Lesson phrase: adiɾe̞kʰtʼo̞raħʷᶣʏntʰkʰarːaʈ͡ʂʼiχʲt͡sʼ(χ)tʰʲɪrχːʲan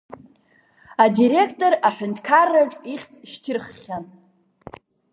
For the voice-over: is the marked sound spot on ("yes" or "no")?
no